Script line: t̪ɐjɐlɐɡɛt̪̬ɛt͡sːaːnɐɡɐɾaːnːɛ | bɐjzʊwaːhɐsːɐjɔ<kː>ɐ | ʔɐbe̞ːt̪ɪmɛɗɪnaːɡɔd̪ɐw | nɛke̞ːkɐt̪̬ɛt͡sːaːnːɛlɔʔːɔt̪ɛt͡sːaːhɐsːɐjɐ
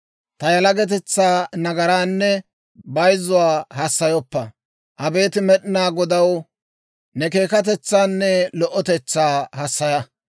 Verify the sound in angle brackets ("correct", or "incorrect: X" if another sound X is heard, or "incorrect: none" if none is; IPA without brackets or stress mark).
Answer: incorrect: pː